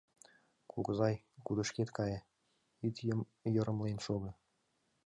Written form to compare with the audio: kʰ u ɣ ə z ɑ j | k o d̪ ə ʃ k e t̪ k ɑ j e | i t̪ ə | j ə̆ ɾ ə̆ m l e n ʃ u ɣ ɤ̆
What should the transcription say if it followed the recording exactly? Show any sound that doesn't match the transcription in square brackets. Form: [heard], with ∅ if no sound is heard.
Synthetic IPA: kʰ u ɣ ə z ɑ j | k [u] d̪ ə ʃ k e t̪ k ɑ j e | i t̪ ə | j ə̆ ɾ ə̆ m l e n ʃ [o] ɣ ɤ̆